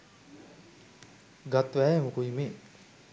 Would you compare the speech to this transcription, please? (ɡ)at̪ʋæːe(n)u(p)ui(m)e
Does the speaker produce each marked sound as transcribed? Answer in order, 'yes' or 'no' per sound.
yes, no, no, yes

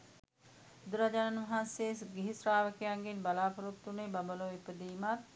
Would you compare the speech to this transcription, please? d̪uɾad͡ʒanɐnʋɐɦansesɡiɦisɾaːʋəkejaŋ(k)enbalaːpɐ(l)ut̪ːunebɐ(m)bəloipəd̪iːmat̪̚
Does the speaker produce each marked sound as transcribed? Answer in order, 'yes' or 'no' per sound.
no, no, yes

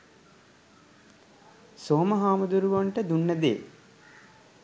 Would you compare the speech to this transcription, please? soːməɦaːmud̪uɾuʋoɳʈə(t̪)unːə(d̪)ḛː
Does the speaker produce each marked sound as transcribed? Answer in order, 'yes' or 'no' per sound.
no, yes

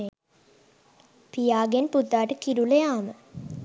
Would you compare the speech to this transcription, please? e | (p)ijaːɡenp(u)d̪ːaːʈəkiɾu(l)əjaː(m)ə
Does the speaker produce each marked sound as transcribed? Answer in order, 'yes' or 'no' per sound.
yes, yes, yes, yes

